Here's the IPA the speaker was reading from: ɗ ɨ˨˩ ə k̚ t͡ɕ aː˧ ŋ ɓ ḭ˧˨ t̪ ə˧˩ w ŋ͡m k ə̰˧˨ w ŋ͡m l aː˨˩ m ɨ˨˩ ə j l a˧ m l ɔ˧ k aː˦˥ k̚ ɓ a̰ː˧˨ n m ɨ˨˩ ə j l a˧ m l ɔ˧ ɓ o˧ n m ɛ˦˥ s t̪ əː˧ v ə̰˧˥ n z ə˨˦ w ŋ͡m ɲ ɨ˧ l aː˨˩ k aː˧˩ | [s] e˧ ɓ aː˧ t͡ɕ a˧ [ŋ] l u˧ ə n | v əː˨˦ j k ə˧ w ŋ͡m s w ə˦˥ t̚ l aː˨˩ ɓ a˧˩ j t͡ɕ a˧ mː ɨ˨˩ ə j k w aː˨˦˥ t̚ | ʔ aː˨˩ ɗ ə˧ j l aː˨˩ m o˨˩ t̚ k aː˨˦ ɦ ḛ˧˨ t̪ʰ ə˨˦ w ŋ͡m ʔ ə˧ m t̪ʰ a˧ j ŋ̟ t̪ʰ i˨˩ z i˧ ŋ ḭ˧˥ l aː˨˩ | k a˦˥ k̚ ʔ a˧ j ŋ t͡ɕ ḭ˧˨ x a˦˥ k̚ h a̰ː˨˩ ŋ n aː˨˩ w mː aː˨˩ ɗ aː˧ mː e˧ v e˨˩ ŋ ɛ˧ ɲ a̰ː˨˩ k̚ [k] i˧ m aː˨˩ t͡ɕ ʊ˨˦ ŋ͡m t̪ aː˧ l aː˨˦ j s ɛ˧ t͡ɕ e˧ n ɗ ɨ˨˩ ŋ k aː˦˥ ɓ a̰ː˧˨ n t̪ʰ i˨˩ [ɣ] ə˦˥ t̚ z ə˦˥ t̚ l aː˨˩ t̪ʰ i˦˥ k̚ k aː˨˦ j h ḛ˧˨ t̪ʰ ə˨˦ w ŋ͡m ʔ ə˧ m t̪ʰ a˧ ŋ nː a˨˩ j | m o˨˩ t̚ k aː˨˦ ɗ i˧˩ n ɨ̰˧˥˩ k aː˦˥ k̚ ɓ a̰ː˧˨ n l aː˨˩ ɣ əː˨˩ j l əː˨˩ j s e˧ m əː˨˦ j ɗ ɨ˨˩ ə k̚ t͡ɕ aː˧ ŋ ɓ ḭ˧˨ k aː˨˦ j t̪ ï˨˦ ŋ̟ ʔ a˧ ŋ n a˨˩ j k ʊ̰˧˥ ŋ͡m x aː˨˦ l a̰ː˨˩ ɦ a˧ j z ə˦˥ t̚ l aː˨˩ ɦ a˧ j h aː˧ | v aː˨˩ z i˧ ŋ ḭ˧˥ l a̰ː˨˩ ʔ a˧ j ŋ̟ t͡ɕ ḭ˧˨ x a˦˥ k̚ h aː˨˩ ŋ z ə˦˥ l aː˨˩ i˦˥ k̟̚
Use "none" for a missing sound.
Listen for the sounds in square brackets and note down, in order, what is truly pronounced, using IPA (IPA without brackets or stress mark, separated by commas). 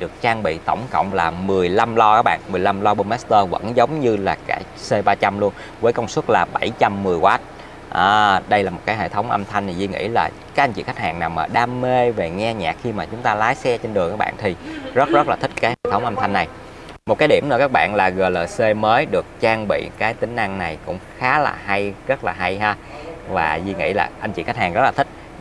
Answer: s, m, x, z